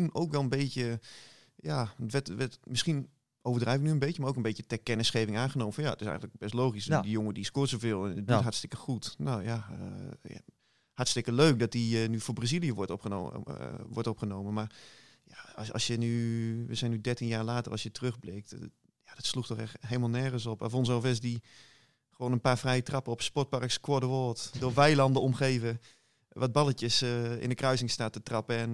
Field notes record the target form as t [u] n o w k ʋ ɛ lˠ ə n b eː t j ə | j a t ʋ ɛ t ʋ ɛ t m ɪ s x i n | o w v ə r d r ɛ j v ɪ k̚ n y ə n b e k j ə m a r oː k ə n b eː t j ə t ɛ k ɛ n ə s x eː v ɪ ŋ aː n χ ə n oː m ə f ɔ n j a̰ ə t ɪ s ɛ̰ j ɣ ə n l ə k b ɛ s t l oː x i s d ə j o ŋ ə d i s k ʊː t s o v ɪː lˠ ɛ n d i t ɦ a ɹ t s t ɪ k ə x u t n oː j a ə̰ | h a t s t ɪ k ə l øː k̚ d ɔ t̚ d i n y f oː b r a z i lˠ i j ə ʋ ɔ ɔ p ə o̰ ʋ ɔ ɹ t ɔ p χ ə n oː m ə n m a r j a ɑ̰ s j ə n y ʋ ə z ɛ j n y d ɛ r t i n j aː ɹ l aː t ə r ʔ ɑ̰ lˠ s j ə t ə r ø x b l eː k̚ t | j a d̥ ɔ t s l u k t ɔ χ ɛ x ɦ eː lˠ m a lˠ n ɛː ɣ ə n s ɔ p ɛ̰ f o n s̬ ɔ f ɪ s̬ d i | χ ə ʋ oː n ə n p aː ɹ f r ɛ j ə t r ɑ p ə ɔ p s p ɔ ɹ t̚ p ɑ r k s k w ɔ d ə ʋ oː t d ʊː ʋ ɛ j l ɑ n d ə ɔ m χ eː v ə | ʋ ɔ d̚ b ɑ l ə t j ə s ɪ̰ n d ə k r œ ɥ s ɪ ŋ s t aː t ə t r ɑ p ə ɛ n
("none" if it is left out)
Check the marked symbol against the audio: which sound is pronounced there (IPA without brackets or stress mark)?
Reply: u